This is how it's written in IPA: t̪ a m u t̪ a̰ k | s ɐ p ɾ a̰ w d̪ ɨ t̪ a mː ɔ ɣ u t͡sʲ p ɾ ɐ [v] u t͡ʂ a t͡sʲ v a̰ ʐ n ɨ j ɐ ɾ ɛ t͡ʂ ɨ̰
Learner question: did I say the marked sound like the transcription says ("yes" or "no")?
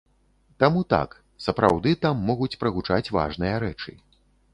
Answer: no